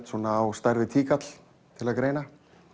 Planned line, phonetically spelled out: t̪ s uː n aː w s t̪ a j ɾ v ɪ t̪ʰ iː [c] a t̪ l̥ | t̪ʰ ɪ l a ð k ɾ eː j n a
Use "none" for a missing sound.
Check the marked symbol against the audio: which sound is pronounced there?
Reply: k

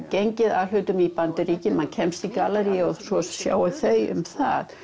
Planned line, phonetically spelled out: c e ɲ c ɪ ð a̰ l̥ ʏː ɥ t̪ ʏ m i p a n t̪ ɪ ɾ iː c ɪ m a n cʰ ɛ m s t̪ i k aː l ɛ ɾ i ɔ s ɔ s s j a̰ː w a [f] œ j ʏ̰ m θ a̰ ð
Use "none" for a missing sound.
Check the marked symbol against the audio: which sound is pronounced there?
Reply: θ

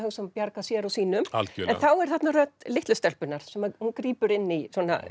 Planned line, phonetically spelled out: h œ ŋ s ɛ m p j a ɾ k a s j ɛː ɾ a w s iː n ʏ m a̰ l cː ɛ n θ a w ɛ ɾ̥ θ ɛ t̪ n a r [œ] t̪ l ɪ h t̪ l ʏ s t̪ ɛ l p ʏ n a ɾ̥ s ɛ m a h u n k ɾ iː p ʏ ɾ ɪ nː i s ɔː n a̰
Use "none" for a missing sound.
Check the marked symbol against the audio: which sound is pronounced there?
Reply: œ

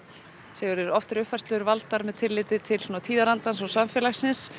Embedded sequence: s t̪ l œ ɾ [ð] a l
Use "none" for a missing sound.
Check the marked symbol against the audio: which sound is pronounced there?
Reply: v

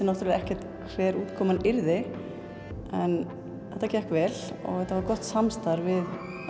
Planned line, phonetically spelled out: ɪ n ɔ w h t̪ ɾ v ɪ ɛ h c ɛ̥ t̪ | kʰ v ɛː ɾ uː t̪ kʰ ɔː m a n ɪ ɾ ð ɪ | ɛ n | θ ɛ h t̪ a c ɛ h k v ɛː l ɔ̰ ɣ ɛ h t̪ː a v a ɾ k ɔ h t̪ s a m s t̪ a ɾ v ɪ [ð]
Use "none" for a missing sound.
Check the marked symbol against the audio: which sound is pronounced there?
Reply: ð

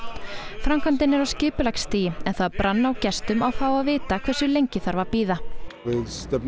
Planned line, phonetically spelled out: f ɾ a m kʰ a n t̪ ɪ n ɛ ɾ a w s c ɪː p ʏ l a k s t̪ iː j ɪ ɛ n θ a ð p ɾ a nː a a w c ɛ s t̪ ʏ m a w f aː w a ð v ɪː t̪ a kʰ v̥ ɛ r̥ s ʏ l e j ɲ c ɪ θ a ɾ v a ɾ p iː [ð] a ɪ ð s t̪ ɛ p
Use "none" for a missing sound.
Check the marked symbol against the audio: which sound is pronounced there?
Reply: ð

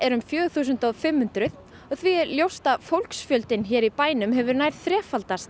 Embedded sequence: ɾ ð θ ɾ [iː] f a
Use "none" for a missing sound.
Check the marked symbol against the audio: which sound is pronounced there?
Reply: ɛː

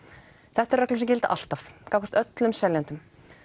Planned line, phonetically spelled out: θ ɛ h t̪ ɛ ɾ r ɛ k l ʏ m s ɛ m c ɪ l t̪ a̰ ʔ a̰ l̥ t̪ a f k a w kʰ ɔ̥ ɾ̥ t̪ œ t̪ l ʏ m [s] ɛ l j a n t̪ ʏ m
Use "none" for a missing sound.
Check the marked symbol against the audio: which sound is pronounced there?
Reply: s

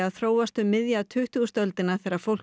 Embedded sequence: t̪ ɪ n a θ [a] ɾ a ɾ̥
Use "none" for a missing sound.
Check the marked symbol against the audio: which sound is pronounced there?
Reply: ɛ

